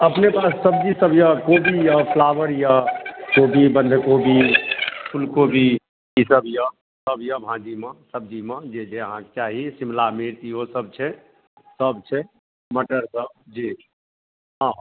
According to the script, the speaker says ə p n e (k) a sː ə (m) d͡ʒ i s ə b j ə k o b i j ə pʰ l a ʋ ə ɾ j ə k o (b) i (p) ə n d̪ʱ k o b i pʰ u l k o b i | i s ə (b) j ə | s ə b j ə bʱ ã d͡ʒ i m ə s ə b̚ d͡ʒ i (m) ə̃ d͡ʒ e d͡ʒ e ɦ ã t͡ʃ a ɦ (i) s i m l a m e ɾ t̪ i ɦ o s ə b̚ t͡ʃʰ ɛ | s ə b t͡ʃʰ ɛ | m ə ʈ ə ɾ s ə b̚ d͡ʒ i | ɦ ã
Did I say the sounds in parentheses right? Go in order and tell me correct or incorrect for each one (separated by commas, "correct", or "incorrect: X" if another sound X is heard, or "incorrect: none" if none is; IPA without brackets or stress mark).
incorrect: p, incorrect: b, correct, incorrect: b, correct, correct, correct